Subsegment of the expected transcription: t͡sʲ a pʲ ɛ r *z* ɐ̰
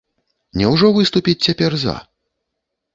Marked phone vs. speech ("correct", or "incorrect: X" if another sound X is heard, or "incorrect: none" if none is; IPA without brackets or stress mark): correct